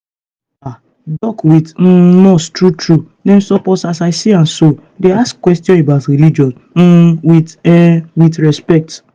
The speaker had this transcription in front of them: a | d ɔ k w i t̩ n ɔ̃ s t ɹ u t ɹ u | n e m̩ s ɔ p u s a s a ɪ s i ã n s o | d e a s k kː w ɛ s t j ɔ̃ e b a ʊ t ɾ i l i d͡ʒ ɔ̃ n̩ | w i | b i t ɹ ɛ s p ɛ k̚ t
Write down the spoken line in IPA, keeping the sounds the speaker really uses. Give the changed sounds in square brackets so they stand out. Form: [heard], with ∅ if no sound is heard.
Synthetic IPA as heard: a | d ɔ k w i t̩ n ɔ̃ s t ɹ u t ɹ u | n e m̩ s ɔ p [ɔ] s a s a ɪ s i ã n s o | d e a s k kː w ɛ s t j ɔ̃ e b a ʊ t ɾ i l i d͡ʒ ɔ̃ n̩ | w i | [w] i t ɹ ɛ s p ɛ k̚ t